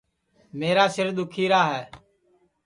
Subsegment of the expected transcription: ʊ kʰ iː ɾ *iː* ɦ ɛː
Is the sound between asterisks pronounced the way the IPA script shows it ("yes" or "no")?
no